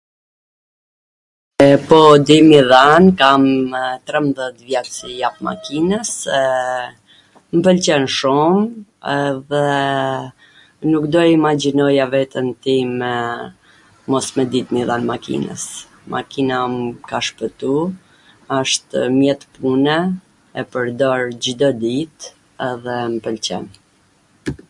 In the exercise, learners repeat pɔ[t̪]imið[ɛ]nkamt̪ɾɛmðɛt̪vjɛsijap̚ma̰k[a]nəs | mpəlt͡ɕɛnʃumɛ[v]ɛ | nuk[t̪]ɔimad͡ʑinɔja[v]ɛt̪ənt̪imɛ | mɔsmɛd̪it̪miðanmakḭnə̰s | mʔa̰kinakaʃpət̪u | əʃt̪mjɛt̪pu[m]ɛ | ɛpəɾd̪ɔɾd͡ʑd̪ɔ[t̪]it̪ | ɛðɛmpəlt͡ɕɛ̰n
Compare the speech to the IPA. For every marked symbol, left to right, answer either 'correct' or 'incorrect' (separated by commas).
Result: incorrect, incorrect, incorrect, incorrect, incorrect, correct, incorrect, incorrect